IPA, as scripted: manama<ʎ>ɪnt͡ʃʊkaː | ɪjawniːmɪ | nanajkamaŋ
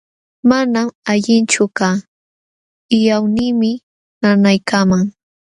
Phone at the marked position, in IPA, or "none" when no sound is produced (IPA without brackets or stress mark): ʎ